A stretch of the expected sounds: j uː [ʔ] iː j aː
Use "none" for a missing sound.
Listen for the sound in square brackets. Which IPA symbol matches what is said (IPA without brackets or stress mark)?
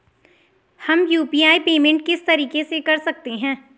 p